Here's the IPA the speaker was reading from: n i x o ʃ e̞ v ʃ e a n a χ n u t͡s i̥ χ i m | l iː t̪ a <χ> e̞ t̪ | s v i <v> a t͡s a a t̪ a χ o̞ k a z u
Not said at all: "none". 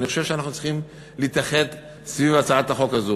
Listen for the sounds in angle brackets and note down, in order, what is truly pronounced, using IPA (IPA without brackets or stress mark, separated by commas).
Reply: χ, v